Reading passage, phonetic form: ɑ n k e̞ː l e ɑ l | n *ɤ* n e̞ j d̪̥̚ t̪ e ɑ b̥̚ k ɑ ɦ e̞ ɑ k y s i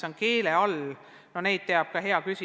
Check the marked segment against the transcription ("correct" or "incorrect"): incorrect